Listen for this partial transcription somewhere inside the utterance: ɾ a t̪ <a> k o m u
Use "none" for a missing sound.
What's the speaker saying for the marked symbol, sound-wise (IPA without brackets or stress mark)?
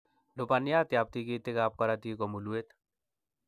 i